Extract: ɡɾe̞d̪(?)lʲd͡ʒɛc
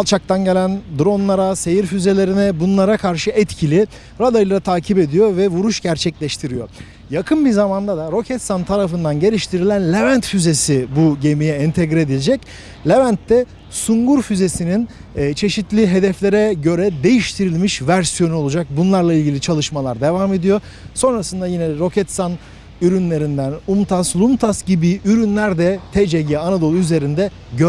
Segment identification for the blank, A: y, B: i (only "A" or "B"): B